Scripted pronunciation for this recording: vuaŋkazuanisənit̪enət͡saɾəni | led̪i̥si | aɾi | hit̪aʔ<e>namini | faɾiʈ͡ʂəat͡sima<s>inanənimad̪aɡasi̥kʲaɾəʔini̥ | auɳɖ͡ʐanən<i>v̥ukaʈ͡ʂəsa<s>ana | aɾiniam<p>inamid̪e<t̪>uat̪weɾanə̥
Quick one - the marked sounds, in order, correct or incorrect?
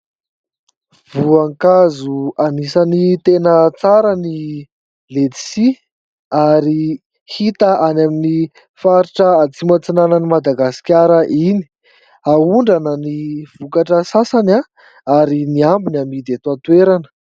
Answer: incorrect: a, incorrect: t͡s, correct, correct, incorrect: b, correct

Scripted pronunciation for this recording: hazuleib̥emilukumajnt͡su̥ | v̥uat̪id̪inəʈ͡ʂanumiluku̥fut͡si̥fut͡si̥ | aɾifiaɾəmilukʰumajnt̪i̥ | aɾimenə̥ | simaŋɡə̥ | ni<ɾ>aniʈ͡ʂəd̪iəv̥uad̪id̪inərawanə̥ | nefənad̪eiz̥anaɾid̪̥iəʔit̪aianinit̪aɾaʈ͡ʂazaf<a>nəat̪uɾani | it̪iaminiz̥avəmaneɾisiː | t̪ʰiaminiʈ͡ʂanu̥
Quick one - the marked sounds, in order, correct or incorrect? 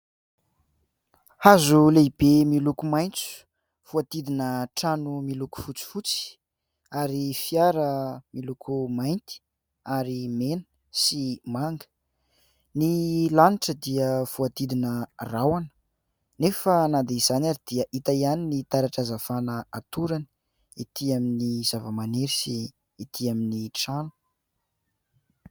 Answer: incorrect: l, correct

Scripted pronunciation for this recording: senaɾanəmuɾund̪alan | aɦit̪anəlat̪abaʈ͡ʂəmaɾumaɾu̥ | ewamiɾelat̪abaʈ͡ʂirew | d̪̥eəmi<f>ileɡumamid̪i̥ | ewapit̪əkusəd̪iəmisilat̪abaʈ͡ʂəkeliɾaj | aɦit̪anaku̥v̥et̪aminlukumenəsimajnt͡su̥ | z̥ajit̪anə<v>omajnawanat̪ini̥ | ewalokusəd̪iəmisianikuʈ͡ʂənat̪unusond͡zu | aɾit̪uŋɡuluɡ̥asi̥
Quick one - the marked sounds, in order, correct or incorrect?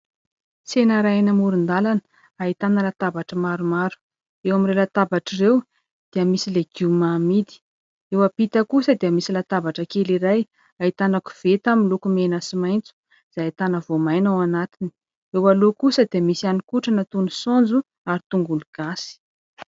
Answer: incorrect: s, correct

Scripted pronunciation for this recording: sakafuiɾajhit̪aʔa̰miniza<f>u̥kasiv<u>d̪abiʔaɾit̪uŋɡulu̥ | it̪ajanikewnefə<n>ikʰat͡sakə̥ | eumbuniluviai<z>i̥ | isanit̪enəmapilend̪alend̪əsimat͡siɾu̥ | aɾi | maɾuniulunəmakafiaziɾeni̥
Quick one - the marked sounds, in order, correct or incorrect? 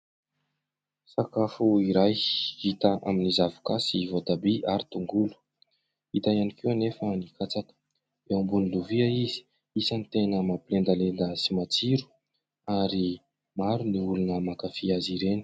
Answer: incorrect: v, incorrect: o, correct, correct

